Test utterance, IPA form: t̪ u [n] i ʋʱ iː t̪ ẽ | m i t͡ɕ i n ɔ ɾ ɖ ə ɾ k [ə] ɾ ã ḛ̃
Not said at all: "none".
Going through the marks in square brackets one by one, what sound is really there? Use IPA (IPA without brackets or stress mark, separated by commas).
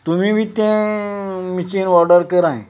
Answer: m, ə